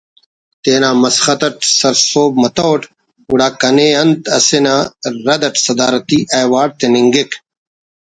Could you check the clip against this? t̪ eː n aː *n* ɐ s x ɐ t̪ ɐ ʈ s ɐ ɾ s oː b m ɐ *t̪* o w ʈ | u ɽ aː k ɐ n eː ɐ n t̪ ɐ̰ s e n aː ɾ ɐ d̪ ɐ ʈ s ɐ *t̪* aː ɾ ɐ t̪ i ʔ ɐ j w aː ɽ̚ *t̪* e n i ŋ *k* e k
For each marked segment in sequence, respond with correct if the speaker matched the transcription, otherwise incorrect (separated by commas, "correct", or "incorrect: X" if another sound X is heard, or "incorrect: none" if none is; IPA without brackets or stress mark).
incorrect: m, correct, incorrect: d̪, correct, incorrect: ɡ